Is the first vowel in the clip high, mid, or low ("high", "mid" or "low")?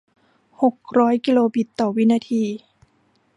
mid